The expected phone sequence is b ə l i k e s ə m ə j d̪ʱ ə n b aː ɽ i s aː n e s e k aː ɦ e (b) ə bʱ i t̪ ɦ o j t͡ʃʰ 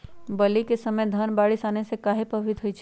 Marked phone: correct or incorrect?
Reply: incorrect